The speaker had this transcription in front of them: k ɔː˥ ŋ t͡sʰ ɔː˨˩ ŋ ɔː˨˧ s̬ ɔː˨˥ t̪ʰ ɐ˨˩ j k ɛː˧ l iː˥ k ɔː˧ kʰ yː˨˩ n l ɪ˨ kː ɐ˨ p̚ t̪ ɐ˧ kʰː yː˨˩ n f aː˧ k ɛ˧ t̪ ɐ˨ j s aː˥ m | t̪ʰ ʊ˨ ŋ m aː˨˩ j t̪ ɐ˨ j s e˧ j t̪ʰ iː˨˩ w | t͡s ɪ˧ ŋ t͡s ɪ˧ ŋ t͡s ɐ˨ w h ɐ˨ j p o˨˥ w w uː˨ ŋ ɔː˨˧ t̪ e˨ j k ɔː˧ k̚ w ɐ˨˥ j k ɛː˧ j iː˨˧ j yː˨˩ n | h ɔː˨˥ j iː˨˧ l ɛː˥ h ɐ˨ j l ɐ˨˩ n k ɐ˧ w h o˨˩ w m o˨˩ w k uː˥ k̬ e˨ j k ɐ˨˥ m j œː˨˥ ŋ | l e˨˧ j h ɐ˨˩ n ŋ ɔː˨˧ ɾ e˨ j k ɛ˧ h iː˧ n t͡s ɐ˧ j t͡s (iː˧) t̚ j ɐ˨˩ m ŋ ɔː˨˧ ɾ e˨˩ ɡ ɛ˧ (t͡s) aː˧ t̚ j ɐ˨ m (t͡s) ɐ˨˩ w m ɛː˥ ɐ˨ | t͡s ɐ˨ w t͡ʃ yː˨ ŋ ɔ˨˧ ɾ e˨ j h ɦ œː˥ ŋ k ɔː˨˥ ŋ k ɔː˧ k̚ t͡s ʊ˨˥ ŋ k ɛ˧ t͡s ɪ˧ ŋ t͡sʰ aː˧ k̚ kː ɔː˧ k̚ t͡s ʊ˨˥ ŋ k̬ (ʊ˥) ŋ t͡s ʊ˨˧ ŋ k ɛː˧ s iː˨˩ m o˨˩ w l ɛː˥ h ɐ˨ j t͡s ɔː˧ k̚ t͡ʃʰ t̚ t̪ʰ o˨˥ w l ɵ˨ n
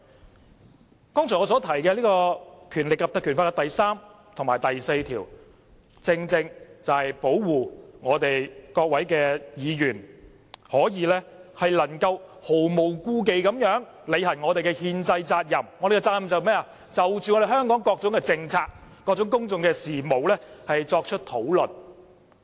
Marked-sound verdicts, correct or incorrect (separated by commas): incorrect, correct, correct, correct